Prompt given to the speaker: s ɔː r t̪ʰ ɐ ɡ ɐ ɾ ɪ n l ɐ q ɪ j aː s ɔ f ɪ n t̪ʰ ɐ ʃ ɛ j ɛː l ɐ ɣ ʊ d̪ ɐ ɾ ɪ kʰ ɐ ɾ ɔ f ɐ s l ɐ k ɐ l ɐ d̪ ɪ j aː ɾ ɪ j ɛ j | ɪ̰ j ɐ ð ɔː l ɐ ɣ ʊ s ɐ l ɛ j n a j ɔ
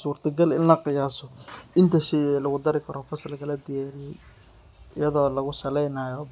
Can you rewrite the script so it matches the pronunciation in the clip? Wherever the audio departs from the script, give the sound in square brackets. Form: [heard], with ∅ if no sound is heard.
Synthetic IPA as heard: s [uː] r t̪ʰ ɐ ɡ ɐ [l] ɪ n l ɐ q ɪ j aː s ɔ [∅] ɪ n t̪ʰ ɐ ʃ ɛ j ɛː l ɐ ɣ ʊ d̪ ɐ ɾ ɪ kʰ ɐ ɾ ɔ f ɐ s l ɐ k ɐ l ɐ d̪ ɪ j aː ɾ ɪ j ɛ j | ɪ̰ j ɐ ð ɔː l ɐ ɣ ʊ s ɐ l ɛ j n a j ɔ

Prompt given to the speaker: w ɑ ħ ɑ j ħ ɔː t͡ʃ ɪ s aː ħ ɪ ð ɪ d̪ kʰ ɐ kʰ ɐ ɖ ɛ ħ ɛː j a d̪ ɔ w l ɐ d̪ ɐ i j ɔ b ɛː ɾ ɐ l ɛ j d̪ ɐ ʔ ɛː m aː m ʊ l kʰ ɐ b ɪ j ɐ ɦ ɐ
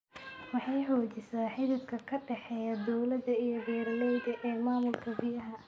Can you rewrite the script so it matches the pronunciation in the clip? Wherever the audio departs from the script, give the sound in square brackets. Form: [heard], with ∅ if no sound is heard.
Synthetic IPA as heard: w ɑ ħ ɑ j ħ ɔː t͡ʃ ɪ s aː ħ ɪ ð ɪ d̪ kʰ ɐ kʰ ɐ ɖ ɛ ħ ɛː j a d̪ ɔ w l ɐ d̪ ɐ i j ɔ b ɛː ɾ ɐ l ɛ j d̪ ɐ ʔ ɛː m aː m ʊ l kʰ ɐ b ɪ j ɐ ɦ ɐ

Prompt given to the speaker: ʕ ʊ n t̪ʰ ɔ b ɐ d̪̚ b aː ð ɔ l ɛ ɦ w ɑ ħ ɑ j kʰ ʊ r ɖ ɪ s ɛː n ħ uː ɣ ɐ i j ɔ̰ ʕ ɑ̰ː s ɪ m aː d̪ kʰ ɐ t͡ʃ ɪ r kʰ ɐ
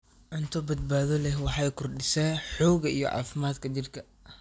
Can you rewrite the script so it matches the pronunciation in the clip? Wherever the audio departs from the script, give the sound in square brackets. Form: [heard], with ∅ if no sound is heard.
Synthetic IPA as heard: ʕ ʊ n t̪ʰ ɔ b ɐ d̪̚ b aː ð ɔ l ɛ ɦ w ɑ ħ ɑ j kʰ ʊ r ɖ ɪ s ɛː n ħ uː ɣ ɐ i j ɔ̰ ʕ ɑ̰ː [f] ɪ m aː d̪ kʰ ɐ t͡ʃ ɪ r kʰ ɐ

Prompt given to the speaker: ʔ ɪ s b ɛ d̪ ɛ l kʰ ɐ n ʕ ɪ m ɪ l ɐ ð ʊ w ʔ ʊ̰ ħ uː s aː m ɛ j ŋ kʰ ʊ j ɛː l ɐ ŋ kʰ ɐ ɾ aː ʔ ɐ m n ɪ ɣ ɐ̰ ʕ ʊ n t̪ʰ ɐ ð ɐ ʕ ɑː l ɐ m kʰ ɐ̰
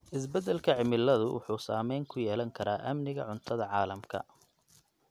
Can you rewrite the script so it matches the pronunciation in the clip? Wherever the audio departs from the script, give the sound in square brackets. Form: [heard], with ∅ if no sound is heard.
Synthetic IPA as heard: ʔ ɪ s b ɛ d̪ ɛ l kʰ ɐ [∅] ʕ ɪ m ɪ l ɐ ð ʊ w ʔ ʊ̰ ħ uː s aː m ɛ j ŋ kʰ ʊ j ɛː l ɐ ŋ kʰ ɐ ɾ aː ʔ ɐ m n ɪ ɣ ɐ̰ ʕ ʊ n t̪ʰ ɐ ð ɐ ʕ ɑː l ɐ m kʰ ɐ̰

